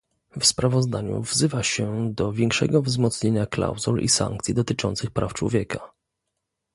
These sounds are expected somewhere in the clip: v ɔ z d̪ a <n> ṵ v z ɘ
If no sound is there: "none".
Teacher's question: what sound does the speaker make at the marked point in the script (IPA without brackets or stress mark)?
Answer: ɲ